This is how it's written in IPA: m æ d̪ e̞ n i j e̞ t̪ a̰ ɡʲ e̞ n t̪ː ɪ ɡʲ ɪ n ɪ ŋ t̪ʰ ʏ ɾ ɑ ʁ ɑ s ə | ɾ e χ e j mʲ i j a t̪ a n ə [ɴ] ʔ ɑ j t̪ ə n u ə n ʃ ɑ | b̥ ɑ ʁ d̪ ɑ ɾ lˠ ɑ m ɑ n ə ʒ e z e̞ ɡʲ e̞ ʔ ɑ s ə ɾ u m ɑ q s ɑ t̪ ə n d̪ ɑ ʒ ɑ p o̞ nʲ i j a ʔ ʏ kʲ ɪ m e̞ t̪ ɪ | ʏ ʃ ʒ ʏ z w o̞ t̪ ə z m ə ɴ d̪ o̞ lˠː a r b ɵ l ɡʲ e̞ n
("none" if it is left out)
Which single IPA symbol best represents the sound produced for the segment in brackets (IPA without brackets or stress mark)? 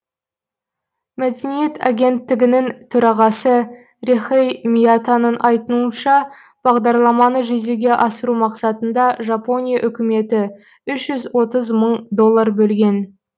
n